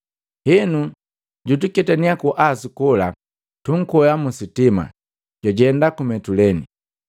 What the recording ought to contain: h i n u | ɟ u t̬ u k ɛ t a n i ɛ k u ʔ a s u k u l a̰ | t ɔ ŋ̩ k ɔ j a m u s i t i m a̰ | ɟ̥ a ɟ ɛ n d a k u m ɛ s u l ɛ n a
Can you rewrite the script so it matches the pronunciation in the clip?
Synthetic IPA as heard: h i n u | ɟ u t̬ u k ɛ t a n i a k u ʔ a s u k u l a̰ | t u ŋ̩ k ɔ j a m u s i t i m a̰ | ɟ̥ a ɟ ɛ n d a k u m ɛ t u l ɛ n i